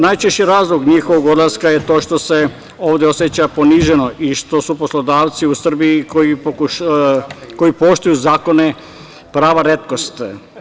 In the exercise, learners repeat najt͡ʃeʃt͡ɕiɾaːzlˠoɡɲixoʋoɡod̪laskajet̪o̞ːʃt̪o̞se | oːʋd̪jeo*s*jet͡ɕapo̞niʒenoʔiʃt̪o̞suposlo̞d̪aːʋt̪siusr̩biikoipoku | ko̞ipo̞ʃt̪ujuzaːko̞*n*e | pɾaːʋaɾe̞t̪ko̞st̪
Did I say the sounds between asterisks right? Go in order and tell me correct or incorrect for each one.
correct, correct

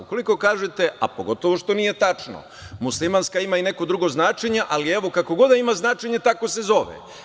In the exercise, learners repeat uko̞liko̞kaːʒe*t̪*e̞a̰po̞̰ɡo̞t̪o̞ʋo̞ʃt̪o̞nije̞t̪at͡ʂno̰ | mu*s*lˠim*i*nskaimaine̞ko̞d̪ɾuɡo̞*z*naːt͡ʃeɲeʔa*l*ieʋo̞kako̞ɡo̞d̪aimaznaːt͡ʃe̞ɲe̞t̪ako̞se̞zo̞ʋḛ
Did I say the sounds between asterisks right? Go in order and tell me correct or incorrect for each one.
correct, correct, incorrect, correct, correct

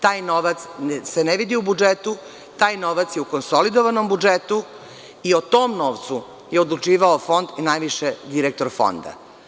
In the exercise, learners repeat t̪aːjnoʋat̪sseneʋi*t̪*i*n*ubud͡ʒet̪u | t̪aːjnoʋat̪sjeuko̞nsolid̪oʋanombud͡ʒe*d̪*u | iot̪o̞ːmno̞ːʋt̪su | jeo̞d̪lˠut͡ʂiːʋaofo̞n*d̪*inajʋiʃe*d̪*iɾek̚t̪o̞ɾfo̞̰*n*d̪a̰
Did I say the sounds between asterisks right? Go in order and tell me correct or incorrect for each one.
incorrect, incorrect, incorrect, correct, correct, correct

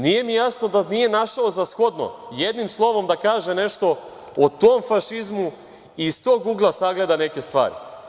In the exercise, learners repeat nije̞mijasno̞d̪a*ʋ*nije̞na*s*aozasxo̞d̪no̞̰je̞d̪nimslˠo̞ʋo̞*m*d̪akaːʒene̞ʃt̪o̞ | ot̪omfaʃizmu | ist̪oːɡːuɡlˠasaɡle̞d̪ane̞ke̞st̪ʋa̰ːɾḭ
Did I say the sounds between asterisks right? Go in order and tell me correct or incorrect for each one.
incorrect, incorrect, correct

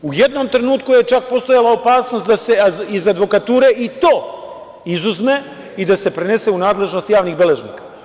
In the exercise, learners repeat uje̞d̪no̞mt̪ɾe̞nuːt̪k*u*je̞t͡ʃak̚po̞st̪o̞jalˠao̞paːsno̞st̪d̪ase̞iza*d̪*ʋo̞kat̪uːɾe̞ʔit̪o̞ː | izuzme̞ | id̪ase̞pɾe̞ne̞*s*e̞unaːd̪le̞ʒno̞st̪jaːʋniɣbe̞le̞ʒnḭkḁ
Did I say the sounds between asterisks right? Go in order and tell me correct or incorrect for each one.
correct, correct, correct

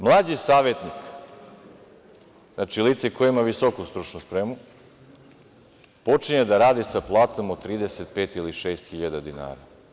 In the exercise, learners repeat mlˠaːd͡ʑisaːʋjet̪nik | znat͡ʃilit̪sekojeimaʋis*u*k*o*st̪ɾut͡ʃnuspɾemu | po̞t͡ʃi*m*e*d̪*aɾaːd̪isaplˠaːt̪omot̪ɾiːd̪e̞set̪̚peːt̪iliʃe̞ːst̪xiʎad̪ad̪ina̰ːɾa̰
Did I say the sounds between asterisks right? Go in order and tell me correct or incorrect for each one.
incorrect, incorrect, incorrect, correct

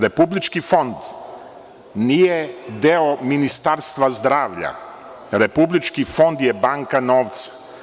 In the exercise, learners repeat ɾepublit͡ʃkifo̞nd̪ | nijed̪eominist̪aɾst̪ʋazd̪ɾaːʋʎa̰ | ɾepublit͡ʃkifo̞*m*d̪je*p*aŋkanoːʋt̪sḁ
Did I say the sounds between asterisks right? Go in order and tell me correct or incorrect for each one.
incorrect, incorrect

